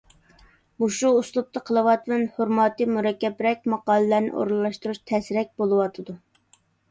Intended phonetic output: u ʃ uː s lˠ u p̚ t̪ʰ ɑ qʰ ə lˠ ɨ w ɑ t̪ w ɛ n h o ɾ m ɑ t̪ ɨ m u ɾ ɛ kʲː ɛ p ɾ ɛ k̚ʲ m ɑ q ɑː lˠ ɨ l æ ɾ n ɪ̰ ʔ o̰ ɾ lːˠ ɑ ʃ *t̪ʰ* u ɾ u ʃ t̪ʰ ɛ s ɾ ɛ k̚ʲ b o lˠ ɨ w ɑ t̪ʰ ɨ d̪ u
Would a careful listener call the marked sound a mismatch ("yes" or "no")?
yes